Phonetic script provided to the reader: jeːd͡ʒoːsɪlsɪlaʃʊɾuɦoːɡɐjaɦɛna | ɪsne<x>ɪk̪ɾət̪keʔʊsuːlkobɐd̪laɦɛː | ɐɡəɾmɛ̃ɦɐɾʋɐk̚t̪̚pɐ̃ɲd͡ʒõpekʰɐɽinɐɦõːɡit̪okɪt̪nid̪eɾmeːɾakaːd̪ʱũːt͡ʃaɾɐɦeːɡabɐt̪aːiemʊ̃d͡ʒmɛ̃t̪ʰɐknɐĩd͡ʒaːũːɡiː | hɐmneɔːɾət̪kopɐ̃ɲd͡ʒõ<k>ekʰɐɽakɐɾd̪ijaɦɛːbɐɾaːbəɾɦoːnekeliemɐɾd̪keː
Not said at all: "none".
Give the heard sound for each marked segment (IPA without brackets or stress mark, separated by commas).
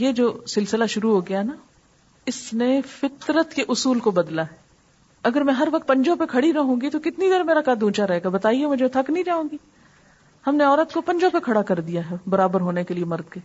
f, p